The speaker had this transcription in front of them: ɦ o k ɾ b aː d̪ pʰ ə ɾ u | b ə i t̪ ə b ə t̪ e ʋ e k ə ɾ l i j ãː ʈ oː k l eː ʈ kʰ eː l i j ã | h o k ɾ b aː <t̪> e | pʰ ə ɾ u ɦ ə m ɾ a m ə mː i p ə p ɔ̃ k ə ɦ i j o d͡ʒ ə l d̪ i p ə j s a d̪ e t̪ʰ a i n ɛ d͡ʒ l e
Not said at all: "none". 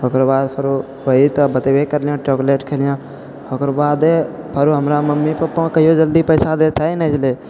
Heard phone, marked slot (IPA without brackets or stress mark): d̪